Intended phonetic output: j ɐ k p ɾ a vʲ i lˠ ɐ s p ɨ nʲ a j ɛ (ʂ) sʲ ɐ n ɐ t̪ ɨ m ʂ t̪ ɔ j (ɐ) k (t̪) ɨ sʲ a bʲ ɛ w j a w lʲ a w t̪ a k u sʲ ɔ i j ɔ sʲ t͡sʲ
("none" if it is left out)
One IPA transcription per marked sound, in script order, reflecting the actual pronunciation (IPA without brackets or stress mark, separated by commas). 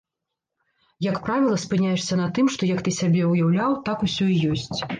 ʂ, ɐ, t̪